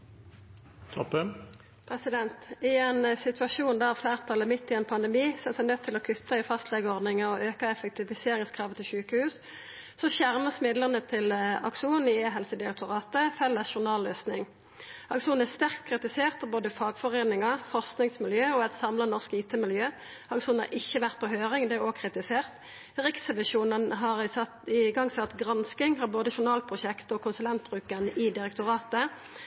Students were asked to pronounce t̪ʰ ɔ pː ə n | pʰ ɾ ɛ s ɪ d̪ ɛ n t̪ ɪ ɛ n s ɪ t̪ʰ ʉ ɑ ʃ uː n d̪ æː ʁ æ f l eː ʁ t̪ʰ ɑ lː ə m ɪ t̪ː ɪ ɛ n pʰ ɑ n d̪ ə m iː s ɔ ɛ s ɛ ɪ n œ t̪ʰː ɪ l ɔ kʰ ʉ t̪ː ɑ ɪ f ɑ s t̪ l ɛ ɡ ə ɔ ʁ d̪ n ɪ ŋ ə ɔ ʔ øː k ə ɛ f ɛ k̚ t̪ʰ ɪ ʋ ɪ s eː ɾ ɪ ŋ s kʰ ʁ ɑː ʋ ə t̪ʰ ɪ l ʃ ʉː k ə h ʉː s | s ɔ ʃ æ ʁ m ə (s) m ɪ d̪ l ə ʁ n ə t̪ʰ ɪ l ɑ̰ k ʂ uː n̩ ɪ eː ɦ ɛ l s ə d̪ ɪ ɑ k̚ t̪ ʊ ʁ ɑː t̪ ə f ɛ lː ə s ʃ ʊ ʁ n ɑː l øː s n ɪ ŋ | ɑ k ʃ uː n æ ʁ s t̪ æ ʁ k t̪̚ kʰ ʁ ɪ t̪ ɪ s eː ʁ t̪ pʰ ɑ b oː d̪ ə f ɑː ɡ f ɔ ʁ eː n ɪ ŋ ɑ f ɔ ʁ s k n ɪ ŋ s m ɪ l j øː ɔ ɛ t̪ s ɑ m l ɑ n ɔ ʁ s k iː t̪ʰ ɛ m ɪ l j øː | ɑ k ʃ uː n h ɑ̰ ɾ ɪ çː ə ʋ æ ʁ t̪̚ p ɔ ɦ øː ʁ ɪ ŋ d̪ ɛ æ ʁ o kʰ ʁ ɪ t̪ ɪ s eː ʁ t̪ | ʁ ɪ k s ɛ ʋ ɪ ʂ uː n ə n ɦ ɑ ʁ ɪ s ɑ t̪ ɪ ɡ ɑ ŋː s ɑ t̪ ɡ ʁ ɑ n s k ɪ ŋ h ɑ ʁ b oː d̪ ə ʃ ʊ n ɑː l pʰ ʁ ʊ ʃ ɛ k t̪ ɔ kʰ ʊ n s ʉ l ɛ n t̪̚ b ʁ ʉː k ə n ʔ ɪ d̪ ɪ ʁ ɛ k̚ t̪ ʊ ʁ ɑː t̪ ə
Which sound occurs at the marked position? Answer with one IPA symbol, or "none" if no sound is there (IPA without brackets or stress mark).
s